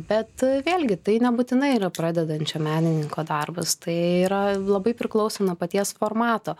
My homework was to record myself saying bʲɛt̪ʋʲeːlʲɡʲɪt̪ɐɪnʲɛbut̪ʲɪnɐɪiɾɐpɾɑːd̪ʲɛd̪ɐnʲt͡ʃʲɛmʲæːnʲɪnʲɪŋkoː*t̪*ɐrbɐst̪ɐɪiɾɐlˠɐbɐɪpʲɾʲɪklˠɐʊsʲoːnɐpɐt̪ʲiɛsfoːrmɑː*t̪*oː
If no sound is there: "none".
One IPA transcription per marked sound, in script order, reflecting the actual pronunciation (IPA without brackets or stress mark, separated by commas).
d̪, t̪